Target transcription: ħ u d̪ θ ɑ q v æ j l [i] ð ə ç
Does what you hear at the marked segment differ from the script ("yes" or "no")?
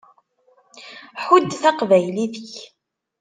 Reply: no